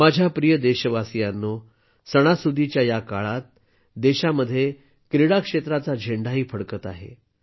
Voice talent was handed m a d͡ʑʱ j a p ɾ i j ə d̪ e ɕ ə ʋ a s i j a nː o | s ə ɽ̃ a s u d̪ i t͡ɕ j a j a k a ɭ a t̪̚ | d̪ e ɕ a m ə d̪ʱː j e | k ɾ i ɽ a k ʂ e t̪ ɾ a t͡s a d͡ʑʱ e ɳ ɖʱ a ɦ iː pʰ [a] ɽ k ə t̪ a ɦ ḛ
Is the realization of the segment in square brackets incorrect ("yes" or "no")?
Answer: yes